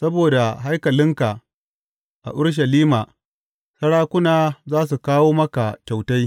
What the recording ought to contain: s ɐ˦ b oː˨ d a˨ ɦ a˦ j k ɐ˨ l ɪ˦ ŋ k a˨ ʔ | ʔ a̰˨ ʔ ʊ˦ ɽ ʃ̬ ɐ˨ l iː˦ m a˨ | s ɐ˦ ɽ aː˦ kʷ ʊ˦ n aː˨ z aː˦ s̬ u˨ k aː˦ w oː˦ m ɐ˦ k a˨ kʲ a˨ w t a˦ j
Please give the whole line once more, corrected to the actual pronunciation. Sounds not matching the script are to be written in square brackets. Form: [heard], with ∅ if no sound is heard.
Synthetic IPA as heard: s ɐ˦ b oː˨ d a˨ ɦ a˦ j k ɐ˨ l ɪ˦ ŋ k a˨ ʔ | ʔ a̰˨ ʔ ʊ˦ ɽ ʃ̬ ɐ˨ l iː˦ m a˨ | s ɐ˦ ɽ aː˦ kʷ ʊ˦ n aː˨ z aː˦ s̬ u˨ k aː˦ w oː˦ m ɐ˦ k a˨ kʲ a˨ w t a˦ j